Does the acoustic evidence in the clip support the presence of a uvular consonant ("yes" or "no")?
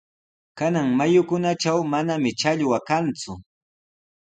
no